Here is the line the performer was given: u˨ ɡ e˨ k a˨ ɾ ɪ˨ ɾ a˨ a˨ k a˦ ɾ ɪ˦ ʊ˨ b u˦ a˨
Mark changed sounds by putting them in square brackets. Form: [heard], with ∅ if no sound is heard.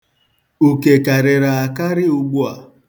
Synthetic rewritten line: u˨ [k] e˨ k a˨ ɾ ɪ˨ ɾ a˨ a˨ k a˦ ɾ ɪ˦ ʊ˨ [ɡ͡b] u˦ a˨